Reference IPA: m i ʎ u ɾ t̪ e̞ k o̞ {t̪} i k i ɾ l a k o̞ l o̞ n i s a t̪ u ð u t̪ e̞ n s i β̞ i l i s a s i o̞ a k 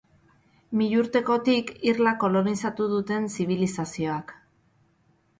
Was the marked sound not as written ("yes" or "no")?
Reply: no